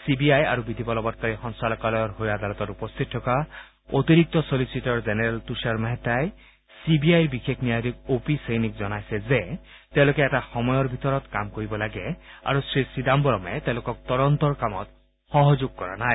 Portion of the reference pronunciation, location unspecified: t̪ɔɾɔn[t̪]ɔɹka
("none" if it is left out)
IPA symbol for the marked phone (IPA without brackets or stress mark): t̪